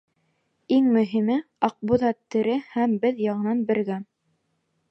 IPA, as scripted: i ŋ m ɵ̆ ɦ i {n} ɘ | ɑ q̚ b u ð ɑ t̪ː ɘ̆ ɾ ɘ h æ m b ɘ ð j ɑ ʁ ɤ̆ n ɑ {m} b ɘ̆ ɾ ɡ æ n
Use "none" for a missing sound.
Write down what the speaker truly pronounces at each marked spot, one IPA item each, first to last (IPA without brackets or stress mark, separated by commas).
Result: m, n